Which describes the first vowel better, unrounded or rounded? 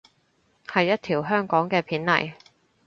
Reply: unrounded